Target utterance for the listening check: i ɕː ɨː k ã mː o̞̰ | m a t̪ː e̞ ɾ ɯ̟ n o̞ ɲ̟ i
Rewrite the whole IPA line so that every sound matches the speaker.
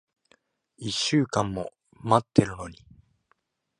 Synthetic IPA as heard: i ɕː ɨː k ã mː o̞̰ | m a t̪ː e̞ ɾ ɯ̟ n o̞ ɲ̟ i